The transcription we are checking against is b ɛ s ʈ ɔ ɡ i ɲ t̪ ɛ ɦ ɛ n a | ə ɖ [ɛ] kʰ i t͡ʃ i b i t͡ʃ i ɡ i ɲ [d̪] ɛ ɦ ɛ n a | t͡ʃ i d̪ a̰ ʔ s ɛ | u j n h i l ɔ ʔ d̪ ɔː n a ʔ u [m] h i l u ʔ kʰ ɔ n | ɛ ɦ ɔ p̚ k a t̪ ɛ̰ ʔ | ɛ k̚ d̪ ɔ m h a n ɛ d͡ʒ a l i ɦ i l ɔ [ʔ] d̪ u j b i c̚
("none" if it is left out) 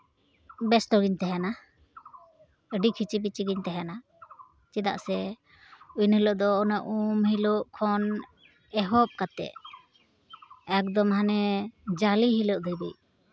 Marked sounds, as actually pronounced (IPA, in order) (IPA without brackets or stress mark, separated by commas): i, t̪, m, ʔ